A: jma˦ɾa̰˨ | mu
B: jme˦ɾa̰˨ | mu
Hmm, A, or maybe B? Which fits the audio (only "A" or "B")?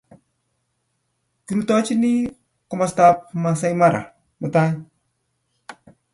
A